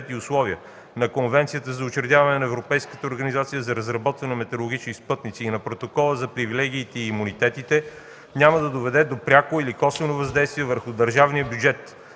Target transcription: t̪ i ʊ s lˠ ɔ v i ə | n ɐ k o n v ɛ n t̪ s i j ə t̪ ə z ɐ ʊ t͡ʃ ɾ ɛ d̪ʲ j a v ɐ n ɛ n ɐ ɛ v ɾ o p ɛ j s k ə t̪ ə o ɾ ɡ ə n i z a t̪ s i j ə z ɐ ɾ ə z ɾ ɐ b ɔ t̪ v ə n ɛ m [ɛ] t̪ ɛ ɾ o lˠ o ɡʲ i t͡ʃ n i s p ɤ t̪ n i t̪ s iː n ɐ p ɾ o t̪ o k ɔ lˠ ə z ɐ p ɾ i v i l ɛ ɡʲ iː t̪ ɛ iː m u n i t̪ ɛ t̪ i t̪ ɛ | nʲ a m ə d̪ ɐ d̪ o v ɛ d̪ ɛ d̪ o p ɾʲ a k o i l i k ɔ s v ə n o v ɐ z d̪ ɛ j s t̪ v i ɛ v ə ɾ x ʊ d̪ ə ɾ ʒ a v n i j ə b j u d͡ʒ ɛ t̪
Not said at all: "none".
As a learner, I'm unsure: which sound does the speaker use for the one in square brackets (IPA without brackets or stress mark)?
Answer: ɛ